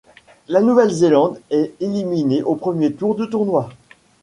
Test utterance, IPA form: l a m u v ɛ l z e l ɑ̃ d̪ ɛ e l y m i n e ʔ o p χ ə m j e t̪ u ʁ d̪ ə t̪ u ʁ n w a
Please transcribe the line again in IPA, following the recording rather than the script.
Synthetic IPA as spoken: l a n u v ɛ l z e l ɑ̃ d̪ ɛ e l i m i n e ʔ o p χ ə m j e t̪ u ʁ d̪ ə t̪ u ʁ n w a

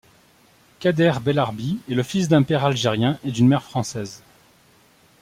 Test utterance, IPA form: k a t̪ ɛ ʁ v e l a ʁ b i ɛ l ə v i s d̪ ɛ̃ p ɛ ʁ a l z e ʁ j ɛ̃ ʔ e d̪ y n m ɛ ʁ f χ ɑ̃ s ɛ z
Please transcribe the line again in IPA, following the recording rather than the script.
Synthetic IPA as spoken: k a d̪ ɛ ʁ b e l a ʁ b i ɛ l ə f i s d̪ ɛ̃ p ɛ ʁ a l ʒ e ʁ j ɛ̃ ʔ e d̪ y n m ɛ ʁ f χ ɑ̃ s ɛ z

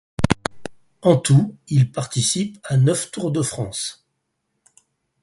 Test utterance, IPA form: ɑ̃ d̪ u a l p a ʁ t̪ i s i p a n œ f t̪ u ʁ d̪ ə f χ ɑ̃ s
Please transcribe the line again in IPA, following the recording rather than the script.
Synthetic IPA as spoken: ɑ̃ t̪ u i l p a ʁ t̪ i s i p a n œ f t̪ u ʁ d̪ ə f χ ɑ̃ s

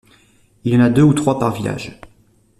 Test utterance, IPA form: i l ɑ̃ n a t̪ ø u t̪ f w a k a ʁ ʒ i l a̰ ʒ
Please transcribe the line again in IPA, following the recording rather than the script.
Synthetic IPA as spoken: i l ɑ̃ n a d̪ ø u t̪ χ w a p a ʁ v i l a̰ ʒ

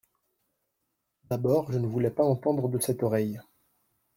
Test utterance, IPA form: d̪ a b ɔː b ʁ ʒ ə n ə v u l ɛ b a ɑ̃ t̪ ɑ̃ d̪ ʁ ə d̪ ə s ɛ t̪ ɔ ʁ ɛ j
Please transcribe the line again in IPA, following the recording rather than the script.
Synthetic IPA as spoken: d̪ a b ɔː ʁ ʒ ə n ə v u l ɛ p a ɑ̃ t̪ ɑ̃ d̪ ʁ ə d̪ ə s ɛ t̪ ɔ ʁ ɛ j

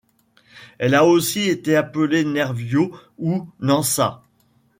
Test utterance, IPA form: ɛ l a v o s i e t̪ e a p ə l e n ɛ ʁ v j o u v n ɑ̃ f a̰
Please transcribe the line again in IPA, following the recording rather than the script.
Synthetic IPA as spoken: ɛ l a o s i e t̪ e a p ə l e n ɛ ʁ v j o u n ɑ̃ s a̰

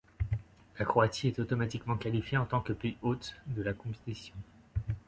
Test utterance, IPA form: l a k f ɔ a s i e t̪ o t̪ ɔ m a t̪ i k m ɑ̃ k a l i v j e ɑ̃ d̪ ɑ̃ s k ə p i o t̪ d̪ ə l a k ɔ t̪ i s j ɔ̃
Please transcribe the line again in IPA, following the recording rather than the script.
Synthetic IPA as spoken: l a k χ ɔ a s i ɛ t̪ o t̪ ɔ m a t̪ i k m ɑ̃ k a l i f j e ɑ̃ t̪ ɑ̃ k ə p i o t̪ d̪ ə l a k ɔ̃ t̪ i s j ɔ̃

